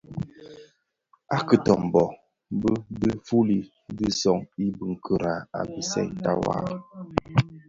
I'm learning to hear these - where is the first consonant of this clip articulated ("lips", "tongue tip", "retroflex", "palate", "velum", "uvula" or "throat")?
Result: velum